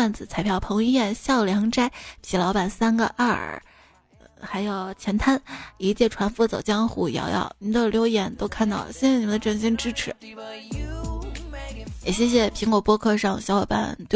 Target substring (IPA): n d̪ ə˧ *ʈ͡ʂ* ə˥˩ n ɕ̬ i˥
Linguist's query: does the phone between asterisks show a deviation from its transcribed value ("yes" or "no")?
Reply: no